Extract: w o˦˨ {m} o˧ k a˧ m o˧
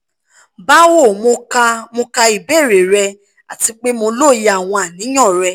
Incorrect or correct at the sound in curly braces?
correct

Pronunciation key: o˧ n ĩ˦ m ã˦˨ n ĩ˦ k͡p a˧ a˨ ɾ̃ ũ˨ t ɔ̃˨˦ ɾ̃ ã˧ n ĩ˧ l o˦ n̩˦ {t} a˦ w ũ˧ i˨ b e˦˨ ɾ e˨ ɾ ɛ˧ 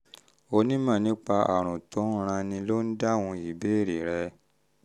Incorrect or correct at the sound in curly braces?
incorrect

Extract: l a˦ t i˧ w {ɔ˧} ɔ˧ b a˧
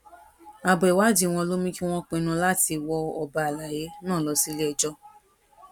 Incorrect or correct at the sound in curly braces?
correct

